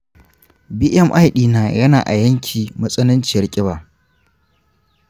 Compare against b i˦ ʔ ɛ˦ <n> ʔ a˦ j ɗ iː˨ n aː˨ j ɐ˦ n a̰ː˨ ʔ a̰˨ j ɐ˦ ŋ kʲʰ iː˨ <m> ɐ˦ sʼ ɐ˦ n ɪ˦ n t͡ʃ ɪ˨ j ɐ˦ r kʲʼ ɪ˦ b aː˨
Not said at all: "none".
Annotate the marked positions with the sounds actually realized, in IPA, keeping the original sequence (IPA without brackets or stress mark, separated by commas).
m, m